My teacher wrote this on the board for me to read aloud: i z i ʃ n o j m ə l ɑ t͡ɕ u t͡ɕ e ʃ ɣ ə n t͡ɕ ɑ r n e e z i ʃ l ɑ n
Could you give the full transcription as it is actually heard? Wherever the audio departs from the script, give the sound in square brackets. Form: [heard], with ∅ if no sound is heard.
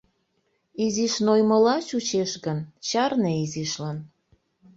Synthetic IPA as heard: i z i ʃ n o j m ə l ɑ t͡ɕ u t͡ɕ e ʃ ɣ ə n t͡ɕ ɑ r n e [i] z i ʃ l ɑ n